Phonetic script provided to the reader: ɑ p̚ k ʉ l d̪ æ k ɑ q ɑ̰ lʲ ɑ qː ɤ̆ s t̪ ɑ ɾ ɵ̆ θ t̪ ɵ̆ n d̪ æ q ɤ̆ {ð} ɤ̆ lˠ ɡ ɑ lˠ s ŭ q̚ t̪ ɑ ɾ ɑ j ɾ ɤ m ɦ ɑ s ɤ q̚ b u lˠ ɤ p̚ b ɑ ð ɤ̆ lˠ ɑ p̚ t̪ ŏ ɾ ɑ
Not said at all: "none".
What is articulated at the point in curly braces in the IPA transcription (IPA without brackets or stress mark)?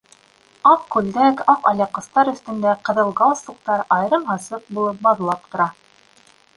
ð